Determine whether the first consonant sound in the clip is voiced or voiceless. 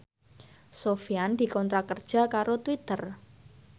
voiceless